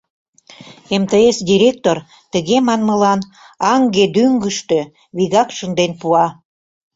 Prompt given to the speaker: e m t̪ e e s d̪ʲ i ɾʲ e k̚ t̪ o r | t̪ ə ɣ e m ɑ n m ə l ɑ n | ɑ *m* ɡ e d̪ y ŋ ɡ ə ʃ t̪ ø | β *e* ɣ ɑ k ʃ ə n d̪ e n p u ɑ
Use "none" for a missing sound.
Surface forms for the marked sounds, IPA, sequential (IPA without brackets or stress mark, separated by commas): ŋ, i